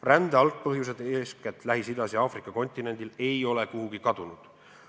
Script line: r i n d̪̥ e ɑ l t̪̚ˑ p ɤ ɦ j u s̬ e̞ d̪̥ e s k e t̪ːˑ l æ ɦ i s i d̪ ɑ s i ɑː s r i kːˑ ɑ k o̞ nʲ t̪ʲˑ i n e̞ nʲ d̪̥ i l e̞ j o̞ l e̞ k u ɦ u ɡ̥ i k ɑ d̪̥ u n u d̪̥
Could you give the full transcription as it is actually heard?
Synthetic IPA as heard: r æ n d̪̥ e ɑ l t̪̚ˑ p ɤ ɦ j u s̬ e̞ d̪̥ e s k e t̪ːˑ l æ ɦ i s i d̪ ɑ s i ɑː f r i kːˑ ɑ k o̞ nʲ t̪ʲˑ i n e̞ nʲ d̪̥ i l e̞ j o̞ l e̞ k u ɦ u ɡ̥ i k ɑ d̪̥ u n u d̪̥